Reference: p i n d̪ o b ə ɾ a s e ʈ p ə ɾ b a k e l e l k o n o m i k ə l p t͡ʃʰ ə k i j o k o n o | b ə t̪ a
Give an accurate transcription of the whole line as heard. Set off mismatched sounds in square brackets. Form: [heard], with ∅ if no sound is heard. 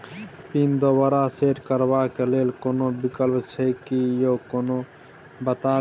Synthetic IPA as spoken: p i n d̪ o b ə ɾ a s e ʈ [k] ə ɾ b a k e l e l k o n o [b] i k ə l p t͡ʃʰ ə k i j o k o n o | b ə t̪ a

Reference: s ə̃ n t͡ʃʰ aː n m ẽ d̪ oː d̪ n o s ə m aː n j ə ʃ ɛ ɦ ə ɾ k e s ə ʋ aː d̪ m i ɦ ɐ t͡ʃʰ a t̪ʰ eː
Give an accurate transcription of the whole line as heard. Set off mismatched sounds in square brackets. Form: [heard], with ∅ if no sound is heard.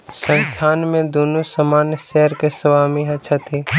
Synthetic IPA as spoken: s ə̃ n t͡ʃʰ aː n m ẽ d̪ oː [∅] n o s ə m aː n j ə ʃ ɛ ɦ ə ɾ k e s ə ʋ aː [∅] m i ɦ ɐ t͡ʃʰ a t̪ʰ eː

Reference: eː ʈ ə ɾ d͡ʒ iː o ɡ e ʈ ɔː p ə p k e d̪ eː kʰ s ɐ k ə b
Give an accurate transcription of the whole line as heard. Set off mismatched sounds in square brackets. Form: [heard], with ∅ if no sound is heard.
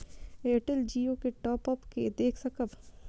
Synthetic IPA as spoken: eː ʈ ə [l] d͡ʒ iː o [k] e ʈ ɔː p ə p k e d̪ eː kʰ s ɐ k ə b

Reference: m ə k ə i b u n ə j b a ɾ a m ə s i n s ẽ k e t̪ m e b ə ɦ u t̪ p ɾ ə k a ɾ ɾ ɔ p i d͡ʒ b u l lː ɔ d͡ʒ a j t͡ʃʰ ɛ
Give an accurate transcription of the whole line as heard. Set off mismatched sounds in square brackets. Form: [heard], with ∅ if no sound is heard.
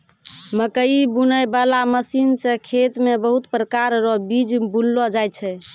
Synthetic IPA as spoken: m ə k ə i b u n ə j b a [l] a m ə s i n s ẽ [kʰ] e t̪ m e b ə ɦ u t̪ p ɾ ə k a ɾ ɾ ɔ [b] i d͡ʒ b u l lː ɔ d͡ʒ a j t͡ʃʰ ɛ

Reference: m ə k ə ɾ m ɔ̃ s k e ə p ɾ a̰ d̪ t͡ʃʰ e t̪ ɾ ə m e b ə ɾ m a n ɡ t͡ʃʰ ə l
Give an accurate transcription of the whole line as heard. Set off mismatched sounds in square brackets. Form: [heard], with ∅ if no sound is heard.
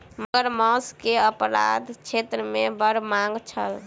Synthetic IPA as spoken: m ə [ɡ] ə ɾ m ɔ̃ s k e ə p ɾ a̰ d̪ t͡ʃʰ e t̪ ɾ ə m e b ə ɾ m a [ŋ] ɡ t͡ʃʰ ə l

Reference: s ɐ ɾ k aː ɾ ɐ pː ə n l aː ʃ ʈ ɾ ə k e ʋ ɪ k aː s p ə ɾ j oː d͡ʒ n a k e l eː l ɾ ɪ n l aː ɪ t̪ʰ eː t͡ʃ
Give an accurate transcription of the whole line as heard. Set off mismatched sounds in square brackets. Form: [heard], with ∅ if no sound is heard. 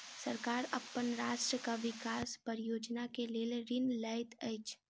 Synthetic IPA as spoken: s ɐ ɾ k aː ɾ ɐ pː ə n [ɾ] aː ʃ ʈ ɾ ə k [a] ʋ ɪ k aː s p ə ɾ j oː d͡ʒ n a k e l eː l ɾ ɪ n l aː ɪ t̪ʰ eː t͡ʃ

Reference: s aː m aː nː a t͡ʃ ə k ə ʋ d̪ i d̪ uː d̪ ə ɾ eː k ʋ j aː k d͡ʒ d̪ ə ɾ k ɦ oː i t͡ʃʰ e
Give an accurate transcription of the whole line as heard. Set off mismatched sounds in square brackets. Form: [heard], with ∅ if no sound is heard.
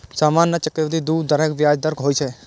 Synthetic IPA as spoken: s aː m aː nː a t͡ʃ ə k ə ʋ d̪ i d̪ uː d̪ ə ɾ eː k ʋ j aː [∅] d͡ʒ d̪ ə ɾ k ɦ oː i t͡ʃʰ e

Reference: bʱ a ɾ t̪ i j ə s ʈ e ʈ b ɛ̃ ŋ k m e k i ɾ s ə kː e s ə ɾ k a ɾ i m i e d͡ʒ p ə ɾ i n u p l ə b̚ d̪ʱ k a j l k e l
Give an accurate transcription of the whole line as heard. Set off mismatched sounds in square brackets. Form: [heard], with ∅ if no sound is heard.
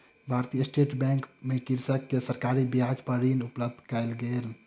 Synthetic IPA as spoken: bʱ a ɾ t̪ i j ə s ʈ e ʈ b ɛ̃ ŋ k m e k i ɾ s ə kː e s ə ɾ k a ɾ i [b] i [a] d͡ʒ p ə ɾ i n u p l ə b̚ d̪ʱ k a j l [ɡ] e l

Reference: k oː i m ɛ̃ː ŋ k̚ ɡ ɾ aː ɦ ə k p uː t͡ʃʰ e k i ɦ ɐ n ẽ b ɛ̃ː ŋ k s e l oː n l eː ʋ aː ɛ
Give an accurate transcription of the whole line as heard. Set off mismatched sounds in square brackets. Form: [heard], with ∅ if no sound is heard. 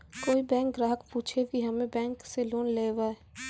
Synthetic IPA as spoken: k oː i [b] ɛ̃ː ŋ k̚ ɡ ɾ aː ɦ ə k p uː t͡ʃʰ e k i ɦ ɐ [m] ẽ b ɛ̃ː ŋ k s e l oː n l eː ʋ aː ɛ

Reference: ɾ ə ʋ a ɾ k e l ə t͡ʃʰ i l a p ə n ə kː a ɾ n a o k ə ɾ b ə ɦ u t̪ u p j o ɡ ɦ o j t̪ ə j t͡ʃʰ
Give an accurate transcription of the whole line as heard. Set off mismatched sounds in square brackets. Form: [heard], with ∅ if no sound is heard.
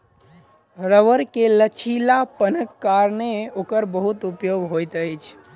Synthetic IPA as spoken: ɾ ə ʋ [ə] ɾ k e l ə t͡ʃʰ i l a p ə n ə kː a ɾ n [e] o k ə ɾ b ə ɦ u t̪ u p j o ɡ ɦ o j t̪ ə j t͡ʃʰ

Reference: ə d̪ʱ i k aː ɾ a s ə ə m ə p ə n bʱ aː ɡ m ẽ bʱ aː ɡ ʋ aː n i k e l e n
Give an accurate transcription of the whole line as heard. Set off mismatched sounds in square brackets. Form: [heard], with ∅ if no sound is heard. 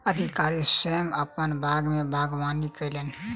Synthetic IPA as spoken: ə d̪ʱ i k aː ɾ [i] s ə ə m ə p ə n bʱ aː ɡ m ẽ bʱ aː ɡ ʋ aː n i k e l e n

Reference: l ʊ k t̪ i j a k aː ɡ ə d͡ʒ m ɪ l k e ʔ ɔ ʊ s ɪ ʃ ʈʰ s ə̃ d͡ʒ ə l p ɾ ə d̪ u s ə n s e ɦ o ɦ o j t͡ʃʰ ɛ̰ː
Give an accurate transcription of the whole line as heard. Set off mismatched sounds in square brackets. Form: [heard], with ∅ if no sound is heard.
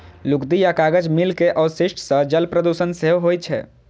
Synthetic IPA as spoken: l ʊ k [d̪] i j a k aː ɡ ə d͡ʒ m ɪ l k e ʔ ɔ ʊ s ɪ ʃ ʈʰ s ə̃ d͡ʒ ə l p ɾ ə d̪ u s ə n s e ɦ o ɦ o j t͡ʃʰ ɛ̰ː

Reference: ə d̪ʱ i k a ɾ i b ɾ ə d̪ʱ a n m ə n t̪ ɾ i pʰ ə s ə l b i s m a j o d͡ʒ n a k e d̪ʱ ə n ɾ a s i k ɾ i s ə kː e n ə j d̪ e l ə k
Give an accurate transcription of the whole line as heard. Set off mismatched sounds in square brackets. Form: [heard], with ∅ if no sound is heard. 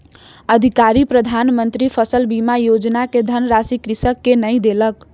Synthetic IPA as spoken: ə d̪ʱ i k a ɾ i [p] ɾ ə d̪ʱ a n m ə n t̪ ɾ i pʰ ə s ə l b i [∅] m a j o d͡ʒ n a k e d̪ʱ ə n ɾ a s i k ɾ i s ə kː e n ə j d̪ e l ə k

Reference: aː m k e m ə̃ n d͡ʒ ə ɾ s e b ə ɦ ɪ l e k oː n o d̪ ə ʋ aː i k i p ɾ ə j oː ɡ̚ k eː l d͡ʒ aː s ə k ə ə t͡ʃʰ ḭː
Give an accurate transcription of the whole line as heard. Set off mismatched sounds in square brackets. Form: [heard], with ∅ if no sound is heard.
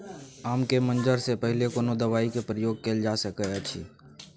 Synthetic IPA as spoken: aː m k e m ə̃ n d͡ʒ ə ɾ s e [p] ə ɦ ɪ l e k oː n o d̪ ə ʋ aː i k [e] p ɾ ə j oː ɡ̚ k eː l d͡ʒ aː s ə k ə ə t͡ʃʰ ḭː

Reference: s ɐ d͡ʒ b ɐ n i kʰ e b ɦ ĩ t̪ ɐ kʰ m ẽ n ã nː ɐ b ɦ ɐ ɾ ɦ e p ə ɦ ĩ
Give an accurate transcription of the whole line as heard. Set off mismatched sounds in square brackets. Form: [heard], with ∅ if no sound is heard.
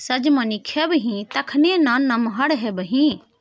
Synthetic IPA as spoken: s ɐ d͡ʒ [m] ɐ n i kʰ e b ɦ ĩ t̪ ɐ kʰ [n] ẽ n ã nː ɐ [m] ɦ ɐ [ɽ] ɦ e [b] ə ɦ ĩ

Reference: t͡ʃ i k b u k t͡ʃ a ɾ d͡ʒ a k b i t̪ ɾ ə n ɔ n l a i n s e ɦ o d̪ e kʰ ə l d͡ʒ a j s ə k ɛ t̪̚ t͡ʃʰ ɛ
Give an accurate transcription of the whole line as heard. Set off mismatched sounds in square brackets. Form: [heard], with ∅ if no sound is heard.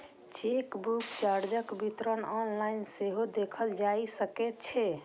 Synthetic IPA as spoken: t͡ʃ i k b u k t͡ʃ a ɾ d͡ʒ [ə] k b i t̪ ɾ ə n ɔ n l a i n s e ɦ o d̪ e kʰ ə l d͡ʒ a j s ə k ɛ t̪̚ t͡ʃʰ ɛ

